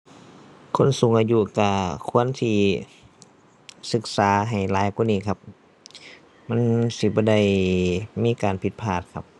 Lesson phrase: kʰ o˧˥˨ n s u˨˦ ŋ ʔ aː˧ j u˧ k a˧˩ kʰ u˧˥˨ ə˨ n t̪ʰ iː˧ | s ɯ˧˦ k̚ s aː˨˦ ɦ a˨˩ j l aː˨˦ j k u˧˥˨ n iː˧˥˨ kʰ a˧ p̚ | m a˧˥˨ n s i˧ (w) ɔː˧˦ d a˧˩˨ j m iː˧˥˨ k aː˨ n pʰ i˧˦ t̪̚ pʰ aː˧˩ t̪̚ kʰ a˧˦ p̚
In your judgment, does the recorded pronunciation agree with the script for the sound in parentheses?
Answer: no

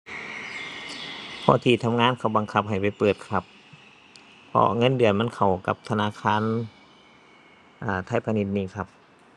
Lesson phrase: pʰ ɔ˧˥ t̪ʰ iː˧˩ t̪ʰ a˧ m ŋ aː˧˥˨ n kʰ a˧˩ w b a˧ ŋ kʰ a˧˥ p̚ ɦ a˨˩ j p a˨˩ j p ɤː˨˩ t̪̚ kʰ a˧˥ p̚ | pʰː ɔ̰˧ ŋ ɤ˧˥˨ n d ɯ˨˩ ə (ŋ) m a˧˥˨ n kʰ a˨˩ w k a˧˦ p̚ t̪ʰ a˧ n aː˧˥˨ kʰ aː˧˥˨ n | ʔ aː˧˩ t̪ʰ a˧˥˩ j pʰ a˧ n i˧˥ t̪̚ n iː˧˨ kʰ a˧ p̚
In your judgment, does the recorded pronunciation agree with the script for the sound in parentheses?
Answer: no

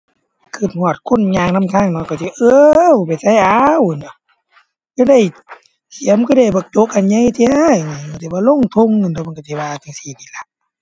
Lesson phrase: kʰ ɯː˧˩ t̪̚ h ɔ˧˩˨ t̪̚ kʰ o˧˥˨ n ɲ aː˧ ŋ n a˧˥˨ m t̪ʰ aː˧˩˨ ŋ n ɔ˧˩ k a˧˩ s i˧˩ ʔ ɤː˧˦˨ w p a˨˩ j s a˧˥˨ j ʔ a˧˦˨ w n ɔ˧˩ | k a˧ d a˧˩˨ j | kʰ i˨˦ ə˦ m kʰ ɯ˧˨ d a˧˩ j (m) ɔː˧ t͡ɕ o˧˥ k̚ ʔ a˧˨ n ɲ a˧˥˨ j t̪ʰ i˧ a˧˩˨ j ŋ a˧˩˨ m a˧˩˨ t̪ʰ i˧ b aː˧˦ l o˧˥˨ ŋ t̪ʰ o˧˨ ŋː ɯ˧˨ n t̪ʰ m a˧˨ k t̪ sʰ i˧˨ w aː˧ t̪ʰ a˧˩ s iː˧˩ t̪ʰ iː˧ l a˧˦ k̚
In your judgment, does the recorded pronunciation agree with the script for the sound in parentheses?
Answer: no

